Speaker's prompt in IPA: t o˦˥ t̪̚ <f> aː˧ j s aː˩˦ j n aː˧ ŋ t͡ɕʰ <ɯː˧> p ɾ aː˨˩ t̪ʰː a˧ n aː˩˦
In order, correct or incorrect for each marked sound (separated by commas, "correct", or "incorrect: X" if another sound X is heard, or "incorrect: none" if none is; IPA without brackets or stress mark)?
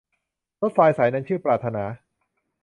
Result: correct, incorrect: ɯː˥˩